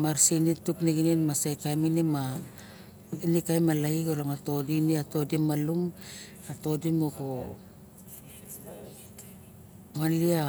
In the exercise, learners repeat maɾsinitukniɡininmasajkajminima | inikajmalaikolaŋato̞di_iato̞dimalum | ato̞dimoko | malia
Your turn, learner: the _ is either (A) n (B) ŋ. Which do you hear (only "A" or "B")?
A